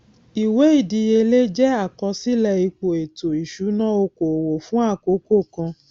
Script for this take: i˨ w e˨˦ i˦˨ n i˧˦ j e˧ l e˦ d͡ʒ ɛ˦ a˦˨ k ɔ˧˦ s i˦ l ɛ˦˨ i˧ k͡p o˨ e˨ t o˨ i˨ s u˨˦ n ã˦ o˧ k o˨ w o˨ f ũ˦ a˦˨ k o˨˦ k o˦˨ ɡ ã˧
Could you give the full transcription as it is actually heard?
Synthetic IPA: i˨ w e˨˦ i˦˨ d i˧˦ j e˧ l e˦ d͡ʒ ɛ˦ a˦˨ k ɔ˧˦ s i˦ l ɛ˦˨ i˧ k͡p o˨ e˨ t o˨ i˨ ʃ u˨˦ n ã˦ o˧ k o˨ w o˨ f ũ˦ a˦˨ k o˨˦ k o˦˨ k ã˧